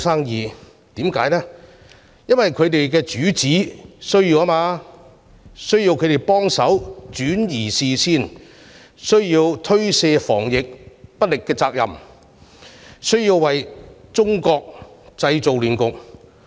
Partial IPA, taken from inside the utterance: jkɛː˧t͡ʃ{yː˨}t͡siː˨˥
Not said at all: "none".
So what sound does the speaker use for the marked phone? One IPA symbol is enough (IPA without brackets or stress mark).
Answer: yː˨˥